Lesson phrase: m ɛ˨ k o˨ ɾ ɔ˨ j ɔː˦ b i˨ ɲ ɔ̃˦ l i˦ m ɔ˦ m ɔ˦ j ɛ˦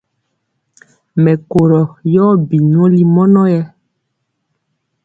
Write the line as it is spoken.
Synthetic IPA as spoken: m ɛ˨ k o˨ ɾ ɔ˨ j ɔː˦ b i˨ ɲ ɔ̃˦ l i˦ m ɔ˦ n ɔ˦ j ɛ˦